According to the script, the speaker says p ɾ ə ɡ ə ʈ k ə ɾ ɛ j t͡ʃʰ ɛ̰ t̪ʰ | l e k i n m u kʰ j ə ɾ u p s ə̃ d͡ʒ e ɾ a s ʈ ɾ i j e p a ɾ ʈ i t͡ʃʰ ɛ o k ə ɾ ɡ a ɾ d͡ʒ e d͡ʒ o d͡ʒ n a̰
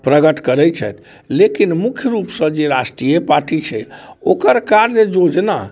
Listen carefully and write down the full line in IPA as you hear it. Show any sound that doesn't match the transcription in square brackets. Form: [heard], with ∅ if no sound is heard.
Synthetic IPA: p ɾ ə ɡ ə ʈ k ə ɾ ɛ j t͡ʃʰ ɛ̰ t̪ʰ | l e k i n m u kʰ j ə ɾ u p s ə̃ d͡ʒ e ɾ a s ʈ ɾ i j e p a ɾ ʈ i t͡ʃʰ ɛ o k ə ɾ [k] a ɾ d͡ʒ e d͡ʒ o d͡ʒ n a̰